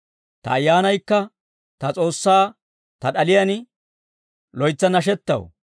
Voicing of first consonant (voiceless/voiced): voiceless